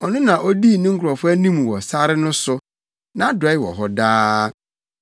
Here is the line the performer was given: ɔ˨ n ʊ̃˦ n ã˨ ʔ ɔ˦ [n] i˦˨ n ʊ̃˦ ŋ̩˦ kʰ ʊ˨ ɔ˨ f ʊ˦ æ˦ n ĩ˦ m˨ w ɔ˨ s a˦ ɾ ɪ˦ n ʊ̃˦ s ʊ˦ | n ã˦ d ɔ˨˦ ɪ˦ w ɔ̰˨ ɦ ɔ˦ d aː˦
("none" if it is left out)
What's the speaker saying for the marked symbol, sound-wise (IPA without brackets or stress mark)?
d